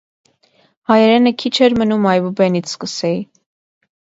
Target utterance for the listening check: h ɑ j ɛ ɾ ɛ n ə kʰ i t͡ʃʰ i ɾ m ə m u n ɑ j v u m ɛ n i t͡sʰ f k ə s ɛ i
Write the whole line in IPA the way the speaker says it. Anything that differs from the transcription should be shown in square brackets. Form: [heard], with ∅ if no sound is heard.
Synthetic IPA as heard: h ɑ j ɛ ɾ ɛ n ə kʰ i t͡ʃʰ [ɛ] ɾ m ə [n] u [m] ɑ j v u [b] ɛ n i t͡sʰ [s] k ə s ɛ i